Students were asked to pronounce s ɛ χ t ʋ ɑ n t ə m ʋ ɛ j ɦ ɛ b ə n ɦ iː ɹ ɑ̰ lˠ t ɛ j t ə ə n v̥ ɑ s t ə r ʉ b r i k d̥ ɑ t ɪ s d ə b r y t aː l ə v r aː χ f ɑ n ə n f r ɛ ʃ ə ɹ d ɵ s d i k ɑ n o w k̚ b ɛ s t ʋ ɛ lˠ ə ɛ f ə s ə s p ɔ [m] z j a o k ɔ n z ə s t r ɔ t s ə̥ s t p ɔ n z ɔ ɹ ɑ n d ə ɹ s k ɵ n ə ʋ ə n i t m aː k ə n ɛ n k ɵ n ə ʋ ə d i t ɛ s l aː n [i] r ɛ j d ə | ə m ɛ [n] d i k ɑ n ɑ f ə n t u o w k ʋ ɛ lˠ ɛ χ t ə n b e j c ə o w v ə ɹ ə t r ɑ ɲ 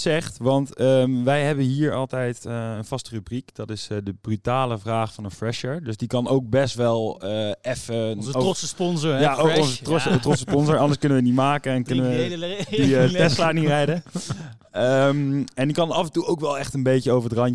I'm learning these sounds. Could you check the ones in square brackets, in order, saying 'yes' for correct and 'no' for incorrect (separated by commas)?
no, yes, yes